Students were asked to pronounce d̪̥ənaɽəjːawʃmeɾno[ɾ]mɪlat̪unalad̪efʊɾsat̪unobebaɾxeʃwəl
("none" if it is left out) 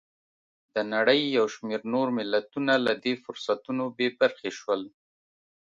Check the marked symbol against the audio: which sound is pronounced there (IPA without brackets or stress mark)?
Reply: ɾ